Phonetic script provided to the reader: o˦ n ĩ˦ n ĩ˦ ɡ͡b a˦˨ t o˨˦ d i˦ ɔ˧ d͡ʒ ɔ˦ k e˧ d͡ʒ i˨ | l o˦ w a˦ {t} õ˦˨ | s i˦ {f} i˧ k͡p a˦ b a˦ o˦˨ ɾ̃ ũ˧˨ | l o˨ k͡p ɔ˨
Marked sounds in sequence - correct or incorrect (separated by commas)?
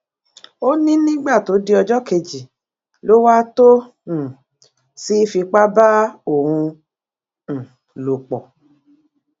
correct, correct